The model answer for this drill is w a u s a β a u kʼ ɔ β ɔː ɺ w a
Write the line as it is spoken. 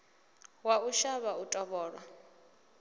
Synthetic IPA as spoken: w a u ʃ a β a u tʼ ɔ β ɔː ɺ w a